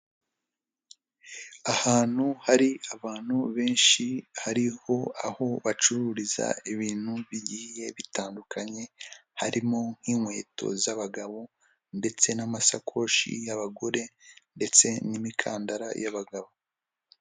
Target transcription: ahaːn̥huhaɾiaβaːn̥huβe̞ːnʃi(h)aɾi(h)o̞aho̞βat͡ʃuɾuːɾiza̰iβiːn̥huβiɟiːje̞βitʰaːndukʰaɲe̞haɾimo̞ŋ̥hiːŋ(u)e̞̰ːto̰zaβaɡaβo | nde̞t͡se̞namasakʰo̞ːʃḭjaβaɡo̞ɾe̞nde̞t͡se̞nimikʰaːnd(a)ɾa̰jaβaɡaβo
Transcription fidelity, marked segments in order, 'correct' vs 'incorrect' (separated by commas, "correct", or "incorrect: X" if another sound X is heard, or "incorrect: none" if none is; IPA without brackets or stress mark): correct, correct, incorrect: w, correct